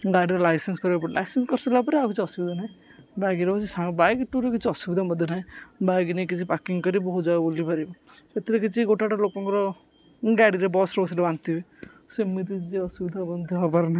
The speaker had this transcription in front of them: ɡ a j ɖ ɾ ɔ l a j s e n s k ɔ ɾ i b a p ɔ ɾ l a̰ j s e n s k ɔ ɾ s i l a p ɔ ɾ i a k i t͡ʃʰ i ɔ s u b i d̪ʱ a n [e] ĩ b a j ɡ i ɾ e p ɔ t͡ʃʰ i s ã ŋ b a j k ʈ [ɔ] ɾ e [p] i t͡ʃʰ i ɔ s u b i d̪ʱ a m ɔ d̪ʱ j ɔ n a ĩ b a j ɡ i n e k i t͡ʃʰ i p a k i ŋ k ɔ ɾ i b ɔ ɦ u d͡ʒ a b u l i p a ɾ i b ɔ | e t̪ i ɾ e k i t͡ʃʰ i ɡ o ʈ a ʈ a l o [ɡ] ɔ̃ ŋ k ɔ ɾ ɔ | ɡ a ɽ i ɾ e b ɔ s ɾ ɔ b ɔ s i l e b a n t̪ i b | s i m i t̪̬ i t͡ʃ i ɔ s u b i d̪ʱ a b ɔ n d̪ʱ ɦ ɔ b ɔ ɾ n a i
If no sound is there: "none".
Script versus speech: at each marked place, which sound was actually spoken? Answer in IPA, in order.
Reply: a, u, k, k

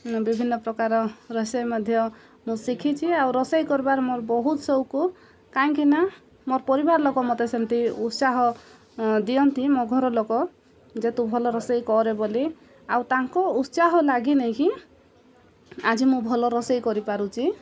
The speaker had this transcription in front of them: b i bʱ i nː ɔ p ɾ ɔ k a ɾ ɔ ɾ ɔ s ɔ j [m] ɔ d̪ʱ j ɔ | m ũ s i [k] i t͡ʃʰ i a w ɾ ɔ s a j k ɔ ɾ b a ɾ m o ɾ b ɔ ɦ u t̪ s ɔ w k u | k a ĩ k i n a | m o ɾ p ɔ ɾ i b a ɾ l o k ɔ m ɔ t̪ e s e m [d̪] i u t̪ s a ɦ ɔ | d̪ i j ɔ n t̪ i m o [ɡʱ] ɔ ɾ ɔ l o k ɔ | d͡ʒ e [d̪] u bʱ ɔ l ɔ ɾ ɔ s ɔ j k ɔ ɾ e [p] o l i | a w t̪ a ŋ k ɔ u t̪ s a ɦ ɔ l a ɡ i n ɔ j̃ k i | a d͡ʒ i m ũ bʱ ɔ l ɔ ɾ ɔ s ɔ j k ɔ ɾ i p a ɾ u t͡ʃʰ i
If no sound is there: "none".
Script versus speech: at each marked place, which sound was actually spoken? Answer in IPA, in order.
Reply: m, kʰ, t̪, ɡʱ, t̪, b

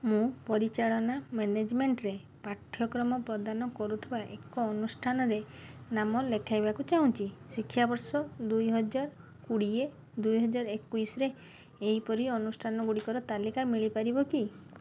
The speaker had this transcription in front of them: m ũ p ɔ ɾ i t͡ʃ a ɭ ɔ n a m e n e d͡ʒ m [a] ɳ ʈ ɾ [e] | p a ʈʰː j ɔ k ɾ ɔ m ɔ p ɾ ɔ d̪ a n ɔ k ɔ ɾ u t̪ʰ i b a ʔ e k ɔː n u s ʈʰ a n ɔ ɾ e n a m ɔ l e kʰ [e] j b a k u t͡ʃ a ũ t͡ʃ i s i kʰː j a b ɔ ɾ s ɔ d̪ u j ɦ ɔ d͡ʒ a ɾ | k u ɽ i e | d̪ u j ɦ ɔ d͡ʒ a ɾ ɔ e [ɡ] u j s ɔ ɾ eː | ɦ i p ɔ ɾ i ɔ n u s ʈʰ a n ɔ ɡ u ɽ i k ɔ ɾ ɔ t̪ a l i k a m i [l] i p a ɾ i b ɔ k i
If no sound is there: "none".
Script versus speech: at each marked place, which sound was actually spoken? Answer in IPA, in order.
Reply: e, e, a, k, ɭ

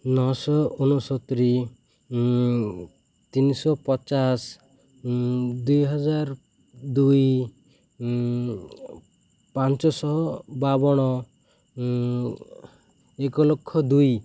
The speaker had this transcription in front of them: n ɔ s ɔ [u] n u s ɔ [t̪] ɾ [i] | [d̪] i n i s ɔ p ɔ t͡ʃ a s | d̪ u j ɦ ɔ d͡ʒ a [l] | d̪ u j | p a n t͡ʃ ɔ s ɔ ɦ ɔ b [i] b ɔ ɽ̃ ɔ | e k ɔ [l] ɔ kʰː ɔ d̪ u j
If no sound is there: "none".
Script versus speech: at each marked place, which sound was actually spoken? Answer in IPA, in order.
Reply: u, t̪, i, t̪, ɾ, a, l

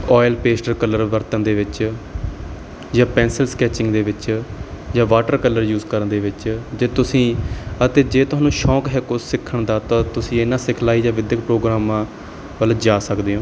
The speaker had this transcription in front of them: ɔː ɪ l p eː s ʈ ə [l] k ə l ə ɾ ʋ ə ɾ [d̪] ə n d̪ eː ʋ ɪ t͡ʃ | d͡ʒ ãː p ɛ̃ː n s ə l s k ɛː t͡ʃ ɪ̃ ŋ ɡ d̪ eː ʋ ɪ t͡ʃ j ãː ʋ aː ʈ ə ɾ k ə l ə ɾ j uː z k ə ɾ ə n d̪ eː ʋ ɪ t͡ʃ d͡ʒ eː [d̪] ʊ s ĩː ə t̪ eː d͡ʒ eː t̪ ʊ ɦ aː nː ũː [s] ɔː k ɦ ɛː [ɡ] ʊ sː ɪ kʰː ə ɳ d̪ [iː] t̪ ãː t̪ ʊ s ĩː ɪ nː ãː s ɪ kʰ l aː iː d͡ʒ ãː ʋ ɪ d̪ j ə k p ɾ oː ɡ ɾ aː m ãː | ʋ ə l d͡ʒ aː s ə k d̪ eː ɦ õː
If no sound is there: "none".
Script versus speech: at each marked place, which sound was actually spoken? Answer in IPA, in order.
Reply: ɾ, t̪, t̪, ʃ, k, aː

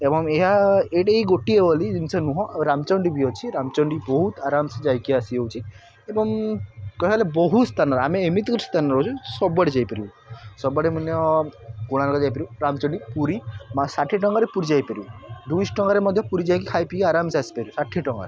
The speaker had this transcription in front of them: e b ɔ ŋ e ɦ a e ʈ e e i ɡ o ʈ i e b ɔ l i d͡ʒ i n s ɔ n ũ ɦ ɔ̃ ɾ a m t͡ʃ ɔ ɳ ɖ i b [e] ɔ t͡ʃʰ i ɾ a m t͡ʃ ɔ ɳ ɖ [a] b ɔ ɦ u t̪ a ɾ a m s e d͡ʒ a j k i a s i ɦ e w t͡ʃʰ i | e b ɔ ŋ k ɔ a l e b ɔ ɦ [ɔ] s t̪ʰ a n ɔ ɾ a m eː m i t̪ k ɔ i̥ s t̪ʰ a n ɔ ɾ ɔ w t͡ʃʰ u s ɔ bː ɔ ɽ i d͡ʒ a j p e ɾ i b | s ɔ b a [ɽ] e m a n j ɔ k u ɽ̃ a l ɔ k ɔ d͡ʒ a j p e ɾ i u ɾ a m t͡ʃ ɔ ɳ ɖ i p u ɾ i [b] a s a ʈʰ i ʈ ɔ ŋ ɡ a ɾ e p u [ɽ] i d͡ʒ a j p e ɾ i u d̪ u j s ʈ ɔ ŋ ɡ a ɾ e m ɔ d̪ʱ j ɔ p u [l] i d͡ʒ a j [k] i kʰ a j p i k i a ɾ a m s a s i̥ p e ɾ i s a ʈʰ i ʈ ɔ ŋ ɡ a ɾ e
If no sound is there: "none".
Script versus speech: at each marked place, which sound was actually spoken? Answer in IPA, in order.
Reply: i, i, u, ɽ, m, ɾ, ɾ, k

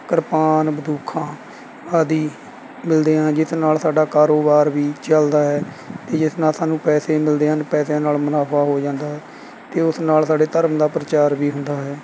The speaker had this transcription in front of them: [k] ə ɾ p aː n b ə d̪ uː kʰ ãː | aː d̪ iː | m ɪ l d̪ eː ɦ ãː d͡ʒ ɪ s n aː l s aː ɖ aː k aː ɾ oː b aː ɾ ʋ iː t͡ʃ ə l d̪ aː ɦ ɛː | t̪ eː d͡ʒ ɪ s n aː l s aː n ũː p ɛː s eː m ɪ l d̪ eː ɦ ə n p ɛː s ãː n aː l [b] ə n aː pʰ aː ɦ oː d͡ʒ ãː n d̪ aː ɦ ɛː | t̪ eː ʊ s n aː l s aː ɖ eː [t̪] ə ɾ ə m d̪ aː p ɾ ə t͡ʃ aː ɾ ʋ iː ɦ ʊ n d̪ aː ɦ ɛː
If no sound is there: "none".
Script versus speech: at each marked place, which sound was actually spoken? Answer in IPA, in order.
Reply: k, m, t̪

